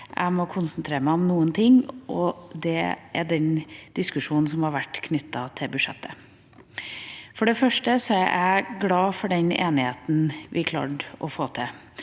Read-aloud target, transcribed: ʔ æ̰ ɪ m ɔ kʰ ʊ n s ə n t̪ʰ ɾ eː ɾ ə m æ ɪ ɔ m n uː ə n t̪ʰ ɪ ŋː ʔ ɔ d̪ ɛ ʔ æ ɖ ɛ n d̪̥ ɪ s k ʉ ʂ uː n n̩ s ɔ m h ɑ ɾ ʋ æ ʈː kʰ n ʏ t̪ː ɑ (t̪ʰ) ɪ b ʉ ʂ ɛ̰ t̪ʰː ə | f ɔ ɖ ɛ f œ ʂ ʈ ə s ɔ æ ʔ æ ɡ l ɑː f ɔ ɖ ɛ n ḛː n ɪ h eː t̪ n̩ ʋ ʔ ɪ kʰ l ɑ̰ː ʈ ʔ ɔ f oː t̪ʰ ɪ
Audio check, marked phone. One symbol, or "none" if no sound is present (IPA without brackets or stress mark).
t̪ʰ